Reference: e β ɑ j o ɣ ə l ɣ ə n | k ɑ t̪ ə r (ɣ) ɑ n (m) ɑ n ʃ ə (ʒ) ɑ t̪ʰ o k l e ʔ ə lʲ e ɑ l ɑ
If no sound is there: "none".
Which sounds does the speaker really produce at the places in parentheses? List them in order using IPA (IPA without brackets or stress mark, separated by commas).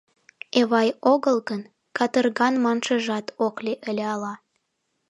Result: ɣ, m, ʒ